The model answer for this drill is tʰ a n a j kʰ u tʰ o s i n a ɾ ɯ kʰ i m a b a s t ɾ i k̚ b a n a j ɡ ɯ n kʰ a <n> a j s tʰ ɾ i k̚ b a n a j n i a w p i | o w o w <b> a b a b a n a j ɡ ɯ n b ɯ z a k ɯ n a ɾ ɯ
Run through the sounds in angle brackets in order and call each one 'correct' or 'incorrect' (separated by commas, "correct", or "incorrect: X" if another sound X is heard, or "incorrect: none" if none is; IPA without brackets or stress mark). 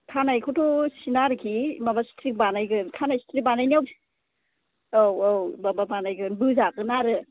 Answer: correct, correct